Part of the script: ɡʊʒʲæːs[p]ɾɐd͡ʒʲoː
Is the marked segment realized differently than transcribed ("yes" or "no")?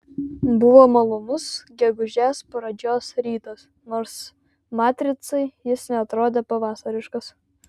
no